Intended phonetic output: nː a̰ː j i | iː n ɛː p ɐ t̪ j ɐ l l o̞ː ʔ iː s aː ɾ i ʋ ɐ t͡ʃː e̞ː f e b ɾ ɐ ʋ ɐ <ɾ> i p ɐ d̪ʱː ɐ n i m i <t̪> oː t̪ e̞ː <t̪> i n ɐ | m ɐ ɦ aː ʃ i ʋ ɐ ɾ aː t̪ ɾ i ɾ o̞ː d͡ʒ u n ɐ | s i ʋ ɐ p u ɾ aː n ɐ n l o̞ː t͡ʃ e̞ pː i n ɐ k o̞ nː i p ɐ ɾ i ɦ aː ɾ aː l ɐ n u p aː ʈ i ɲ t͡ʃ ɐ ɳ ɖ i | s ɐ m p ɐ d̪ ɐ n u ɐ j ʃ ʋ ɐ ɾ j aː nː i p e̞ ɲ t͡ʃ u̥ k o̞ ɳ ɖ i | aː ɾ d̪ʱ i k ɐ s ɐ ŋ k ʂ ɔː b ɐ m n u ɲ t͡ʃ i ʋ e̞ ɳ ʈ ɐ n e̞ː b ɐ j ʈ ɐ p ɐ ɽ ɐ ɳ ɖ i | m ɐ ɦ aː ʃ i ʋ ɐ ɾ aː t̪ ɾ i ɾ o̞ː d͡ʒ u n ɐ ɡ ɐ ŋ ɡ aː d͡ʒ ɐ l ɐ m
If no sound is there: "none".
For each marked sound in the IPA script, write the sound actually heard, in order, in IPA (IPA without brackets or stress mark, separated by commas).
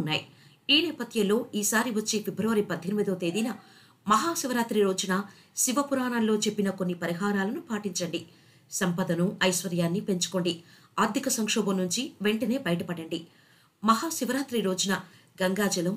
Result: ɾ, d̪, d̪